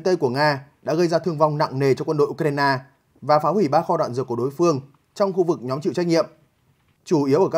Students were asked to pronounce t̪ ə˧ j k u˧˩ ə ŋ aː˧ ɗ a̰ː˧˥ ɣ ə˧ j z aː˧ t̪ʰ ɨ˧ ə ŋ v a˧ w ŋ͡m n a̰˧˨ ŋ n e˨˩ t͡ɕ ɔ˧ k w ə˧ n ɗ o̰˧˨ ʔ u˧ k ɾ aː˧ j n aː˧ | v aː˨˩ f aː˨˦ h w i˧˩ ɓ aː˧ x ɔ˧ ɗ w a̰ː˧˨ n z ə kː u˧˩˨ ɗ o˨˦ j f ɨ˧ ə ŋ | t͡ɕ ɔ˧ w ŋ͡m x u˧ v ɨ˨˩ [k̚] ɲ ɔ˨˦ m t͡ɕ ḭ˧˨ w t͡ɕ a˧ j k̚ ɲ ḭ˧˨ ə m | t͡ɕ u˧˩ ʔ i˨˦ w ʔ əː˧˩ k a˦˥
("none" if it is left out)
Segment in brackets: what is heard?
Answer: k̚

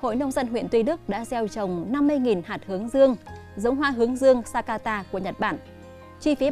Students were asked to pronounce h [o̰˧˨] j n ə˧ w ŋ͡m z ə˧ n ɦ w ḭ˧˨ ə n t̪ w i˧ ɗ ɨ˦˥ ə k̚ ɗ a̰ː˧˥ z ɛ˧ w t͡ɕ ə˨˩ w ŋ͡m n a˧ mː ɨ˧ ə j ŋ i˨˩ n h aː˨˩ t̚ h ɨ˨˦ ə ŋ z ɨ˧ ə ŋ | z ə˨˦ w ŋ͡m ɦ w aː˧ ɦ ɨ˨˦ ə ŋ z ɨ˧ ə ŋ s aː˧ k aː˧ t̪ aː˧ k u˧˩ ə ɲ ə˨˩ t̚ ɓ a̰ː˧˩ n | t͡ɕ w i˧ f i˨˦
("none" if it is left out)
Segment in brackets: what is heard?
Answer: o̰˧˨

